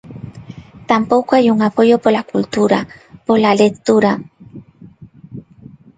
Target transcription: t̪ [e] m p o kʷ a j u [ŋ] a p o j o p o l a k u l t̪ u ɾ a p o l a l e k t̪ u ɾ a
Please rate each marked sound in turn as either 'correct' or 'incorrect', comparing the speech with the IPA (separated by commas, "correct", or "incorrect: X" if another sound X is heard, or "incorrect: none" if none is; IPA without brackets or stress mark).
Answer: incorrect: a, correct